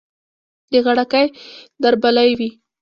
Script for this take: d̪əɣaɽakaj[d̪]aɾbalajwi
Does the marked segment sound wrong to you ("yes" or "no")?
no